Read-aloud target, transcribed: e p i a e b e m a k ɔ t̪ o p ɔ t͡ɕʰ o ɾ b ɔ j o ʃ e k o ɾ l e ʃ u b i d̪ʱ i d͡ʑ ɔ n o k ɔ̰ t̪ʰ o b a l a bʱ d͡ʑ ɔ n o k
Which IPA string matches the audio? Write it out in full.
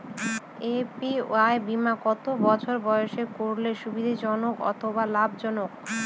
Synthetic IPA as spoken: e p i a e b i m a k ɔ t̪ o b ɔ t͡ɕʰ o ɾ b ɔ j o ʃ e k o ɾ l e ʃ u b i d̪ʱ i d͡ʑ ɔ n o k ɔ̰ t̪ʰ o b a l a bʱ d͡ʑ ɔ n o k